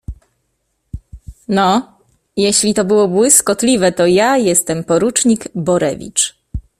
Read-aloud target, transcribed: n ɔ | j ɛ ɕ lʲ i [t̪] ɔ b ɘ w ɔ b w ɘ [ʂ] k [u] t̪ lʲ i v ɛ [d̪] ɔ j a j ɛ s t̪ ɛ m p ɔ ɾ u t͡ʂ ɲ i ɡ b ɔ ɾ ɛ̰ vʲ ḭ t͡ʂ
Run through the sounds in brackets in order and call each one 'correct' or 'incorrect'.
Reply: correct, incorrect, incorrect, incorrect

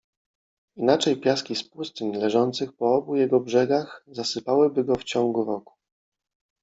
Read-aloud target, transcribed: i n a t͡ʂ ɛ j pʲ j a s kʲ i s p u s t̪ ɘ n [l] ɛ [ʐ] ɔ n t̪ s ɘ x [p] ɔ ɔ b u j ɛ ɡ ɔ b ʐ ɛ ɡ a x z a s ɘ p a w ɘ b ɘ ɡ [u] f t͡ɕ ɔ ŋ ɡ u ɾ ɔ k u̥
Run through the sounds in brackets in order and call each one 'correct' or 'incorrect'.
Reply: correct, correct, correct, incorrect

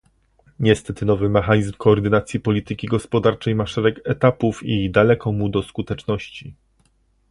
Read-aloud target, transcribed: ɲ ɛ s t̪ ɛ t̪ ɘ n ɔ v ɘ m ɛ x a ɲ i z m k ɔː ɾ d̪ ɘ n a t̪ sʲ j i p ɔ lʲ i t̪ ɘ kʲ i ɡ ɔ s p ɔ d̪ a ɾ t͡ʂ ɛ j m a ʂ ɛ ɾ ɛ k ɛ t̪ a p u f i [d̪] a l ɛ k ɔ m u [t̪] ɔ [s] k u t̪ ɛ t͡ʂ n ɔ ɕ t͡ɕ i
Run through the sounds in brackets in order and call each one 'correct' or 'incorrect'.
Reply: correct, incorrect, correct

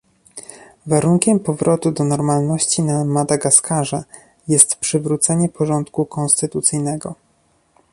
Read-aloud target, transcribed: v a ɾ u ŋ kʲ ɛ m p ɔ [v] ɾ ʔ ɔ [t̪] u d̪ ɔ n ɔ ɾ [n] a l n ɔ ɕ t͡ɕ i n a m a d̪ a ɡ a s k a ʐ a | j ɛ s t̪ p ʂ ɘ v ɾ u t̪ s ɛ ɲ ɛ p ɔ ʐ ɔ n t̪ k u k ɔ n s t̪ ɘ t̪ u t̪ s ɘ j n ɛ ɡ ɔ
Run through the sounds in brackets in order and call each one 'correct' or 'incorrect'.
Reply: correct, correct, incorrect

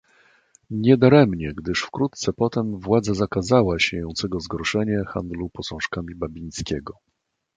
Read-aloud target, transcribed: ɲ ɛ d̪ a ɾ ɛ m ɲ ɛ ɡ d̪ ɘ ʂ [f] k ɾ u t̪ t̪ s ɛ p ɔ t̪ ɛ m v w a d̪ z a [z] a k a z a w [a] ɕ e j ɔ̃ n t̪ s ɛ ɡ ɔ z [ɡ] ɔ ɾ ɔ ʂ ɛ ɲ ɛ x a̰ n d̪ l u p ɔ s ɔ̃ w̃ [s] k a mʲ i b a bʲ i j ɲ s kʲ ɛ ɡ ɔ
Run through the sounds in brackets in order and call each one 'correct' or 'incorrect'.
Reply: correct, correct, correct, correct, incorrect

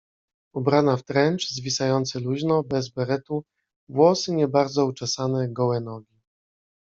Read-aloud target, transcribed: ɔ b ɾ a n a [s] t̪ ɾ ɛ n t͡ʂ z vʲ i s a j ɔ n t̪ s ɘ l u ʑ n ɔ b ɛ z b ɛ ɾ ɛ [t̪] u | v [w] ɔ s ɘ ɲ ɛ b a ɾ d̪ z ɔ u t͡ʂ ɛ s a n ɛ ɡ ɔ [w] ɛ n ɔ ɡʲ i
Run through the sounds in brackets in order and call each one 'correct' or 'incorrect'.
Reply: incorrect, correct, correct, correct

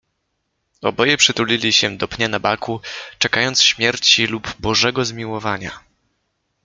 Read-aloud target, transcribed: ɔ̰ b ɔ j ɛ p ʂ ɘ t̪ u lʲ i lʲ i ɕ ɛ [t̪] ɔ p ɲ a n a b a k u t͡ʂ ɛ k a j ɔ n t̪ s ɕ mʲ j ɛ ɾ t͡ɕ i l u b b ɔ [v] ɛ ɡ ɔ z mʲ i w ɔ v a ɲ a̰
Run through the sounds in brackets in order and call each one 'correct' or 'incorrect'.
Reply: incorrect, incorrect

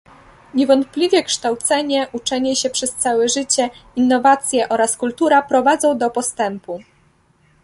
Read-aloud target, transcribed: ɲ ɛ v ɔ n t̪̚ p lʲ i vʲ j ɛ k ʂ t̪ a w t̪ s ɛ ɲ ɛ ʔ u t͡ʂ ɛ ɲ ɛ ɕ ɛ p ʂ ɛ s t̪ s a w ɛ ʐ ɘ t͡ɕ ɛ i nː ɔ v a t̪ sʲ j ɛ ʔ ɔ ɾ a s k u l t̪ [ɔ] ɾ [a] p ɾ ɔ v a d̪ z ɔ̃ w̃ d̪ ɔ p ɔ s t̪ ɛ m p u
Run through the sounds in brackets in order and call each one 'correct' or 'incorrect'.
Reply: incorrect, correct

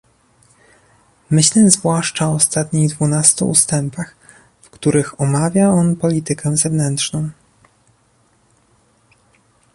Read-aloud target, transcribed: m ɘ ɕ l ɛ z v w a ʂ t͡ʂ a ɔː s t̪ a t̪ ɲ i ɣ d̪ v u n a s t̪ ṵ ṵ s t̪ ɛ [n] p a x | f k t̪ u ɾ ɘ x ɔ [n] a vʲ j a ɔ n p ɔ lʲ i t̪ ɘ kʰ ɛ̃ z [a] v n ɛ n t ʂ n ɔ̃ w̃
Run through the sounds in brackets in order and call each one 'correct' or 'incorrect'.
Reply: incorrect, incorrect, incorrect

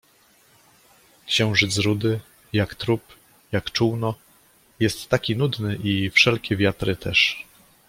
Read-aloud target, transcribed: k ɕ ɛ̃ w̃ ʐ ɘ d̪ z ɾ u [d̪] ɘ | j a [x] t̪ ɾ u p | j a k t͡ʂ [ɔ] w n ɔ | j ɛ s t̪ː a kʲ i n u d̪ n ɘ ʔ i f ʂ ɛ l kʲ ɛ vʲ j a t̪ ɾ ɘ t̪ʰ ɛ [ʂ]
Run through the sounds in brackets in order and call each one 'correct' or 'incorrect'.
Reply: correct, incorrect, incorrect, correct

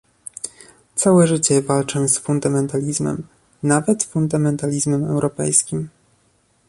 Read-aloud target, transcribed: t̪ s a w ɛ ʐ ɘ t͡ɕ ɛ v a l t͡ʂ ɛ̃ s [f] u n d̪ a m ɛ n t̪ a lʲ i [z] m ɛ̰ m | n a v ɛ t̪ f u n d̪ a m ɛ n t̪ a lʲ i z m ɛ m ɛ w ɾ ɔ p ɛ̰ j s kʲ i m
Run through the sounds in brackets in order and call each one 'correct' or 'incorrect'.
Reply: correct, correct

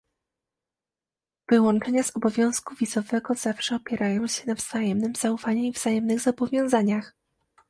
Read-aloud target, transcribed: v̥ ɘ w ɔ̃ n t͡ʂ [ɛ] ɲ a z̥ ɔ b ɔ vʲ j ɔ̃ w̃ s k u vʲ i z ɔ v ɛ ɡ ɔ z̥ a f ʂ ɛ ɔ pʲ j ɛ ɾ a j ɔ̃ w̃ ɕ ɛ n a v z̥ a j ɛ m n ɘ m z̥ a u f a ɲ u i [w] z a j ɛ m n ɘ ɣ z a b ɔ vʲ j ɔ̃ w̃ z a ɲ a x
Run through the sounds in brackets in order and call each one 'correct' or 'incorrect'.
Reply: correct, incorrect

